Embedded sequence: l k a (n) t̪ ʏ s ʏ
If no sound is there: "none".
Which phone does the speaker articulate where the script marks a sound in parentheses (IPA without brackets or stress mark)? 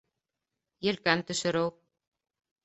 n